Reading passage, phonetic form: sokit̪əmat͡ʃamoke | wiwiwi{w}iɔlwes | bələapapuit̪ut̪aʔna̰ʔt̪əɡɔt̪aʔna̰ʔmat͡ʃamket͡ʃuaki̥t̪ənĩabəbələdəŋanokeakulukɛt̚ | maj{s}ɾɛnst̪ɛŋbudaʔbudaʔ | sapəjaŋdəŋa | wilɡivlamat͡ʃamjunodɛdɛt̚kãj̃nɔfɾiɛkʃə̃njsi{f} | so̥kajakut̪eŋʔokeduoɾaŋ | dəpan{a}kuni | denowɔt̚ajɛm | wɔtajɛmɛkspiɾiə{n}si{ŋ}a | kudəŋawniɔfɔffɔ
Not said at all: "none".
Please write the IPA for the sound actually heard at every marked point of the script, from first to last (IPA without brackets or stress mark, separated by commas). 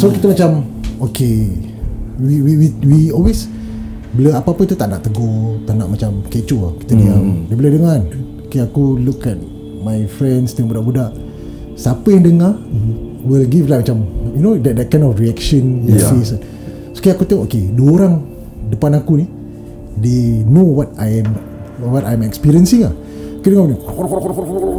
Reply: w, f, s, a, n, ŋ